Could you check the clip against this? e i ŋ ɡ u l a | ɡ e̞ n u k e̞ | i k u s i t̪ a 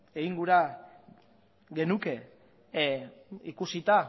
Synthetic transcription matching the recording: e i ŋ ɡ u ɾ a | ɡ e̞ n u k e̞ | i k u s i t̪ a